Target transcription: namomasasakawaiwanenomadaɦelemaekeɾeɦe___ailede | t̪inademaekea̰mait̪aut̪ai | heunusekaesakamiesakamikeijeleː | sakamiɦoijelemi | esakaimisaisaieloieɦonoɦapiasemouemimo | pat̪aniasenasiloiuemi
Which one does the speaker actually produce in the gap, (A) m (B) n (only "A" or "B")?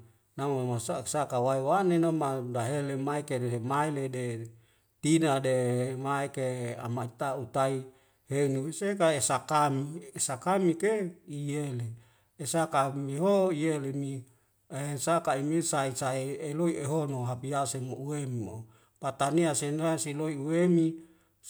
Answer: A